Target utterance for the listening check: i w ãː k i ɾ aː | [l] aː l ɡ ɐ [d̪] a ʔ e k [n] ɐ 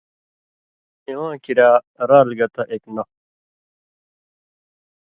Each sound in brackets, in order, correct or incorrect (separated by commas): incorrect, incorrect, correct